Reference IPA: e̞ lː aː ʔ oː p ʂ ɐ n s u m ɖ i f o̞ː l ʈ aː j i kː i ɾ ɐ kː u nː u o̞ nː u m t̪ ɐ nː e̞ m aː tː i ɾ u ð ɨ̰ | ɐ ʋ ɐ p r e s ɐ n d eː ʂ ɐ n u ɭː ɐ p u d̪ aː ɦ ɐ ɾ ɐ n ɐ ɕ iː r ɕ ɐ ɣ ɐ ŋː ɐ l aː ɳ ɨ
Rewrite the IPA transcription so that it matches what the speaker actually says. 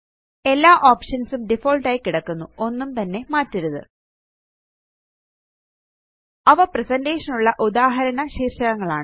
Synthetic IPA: e̞ lː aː ʔ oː p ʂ ɐ n s u m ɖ i f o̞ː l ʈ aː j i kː i ɽ ɐ kː u nː u o̞ nː u m t̪ ɐ nː e̞ m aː tː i ɾ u ð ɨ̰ | ɐ ʋ ɐ p r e s ɐ n d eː ʂ ɐ n u ɭː ɐ ʔ u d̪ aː ɦ ɐ ɾ ɐ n ɐ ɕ iː r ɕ ɐ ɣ ɐ ŋː ɐ ɭ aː ɳ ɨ